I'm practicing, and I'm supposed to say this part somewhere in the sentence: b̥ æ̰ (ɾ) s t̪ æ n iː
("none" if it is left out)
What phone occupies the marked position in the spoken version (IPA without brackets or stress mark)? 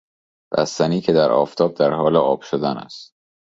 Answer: none